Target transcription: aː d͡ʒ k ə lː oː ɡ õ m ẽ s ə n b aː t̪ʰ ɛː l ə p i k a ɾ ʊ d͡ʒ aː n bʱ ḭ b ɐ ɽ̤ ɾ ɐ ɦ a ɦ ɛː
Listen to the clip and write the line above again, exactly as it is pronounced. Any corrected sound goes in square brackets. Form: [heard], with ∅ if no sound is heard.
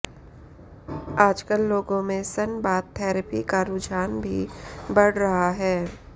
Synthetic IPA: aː d͡ʒ k ə lː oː ɡ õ m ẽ s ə n b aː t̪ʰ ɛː [ɾ] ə p i k a ɾ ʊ d͡ʒ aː n bʱ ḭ b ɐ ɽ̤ ɾ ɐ ɦ a ɦ ɛː